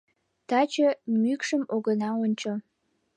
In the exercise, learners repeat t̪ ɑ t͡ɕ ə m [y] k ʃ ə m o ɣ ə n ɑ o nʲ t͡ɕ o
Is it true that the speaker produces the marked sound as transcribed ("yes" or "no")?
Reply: yes